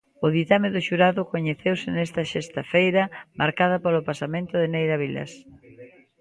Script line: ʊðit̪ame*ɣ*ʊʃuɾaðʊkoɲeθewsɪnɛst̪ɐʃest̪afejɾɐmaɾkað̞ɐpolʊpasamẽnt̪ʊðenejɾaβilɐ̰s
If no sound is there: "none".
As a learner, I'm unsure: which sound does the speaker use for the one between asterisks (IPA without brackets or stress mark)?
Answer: ð